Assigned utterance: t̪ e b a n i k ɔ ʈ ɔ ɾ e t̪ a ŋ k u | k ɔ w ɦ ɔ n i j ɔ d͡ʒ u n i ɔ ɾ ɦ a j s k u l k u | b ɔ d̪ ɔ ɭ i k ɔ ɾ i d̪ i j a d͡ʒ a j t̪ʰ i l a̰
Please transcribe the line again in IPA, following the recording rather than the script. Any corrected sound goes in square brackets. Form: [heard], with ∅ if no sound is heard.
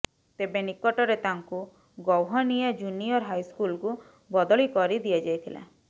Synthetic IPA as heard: t̪ e b [e] n i k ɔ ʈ ɔ ɾ e t̪ a ŋ k u | [ɡ] ɔ w ɦ ɔ n i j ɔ d͡ʒ u n i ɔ ɾ ɦ a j s k u l k u | b ɔ d̪ ɔ ɭ i k ɔ ɾ i d̪ i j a d͡ʒ a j t̪ʰ i l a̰

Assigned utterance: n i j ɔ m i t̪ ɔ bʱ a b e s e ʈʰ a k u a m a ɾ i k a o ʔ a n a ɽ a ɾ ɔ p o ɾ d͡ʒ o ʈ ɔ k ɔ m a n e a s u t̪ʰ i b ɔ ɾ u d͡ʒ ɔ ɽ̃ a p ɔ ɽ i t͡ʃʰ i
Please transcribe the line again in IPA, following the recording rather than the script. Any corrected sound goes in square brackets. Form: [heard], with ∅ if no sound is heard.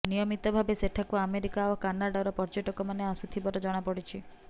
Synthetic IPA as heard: n i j ɔ m i t̪ ɔ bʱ a b e s e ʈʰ a k u a m [e] ɾ i k a o [k] a n a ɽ a ɾ ɔ p [ɔ] ɾ d͡ʒ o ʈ ɔ k ɔ m a n e a s u t̪ʰ i b ɔ ɾ [ɔ] d͡ʒ ɔ ɽ̃ a p ɔ ɽ i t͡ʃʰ i

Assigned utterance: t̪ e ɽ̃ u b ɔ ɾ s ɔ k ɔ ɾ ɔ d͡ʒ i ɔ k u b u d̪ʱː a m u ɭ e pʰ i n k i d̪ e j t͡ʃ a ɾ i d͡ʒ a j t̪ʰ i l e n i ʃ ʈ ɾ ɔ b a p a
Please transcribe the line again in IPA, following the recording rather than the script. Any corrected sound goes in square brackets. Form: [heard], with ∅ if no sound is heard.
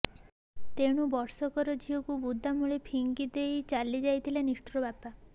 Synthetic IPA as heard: t̪ e ɽ̃ u b ɔ ɾ s ɔ k ɔ ɾ ɔ d͡ʒ i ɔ k u b u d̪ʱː a m u ɭ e pʰ i [ŋ] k i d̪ e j t͡ʃ a [l] i d͡ʒ a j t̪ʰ i l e n i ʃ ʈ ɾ ɔ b a p a

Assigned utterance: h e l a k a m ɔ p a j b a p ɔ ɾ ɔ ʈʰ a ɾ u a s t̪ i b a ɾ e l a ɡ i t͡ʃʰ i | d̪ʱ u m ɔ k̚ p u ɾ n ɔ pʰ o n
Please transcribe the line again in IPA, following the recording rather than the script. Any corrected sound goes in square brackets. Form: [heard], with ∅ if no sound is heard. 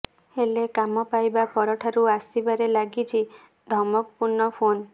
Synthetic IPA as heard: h e l [e] k a m ɔ p a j b a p ɔ ɾ ɔ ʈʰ a ɾ u a s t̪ i b a ɾ e l a ɡ i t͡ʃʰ i | d̪ʱ [ɔ] m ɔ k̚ p u ɾ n ɔ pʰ o n

